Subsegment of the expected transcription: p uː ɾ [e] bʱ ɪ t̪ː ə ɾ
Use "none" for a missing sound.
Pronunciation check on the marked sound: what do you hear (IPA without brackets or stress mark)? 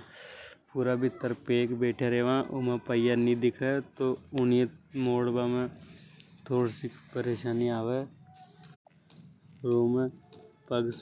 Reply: a